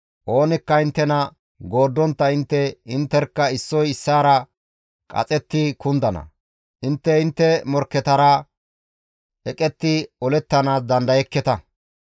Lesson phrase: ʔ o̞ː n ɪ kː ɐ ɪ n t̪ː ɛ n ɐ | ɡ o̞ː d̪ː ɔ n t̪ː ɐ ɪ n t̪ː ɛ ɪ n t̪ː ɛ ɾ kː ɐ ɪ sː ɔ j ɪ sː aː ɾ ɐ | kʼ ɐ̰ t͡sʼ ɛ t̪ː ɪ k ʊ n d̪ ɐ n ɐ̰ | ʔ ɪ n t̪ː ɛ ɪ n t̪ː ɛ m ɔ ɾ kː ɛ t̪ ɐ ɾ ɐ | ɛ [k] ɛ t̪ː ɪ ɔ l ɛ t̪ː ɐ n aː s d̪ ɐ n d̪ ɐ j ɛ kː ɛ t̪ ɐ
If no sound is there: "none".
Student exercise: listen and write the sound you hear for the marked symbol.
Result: kʼ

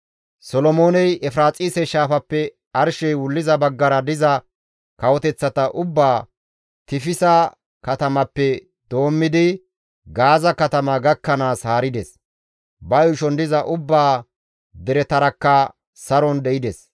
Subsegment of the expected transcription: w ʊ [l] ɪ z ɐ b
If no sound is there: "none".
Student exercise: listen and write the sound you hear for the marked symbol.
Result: lː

